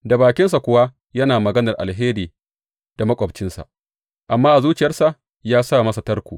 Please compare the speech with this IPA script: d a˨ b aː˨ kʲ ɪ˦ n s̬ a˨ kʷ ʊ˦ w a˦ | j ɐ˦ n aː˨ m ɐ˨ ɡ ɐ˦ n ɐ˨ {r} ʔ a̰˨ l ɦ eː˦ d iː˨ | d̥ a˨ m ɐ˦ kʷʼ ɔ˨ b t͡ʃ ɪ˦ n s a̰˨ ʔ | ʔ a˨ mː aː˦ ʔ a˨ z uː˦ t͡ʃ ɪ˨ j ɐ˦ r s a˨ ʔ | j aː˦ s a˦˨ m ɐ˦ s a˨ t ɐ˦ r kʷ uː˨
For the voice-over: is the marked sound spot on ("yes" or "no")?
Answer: yes